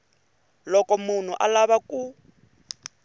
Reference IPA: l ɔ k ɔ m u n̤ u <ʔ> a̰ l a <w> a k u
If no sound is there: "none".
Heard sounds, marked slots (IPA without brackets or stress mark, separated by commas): ʔ, β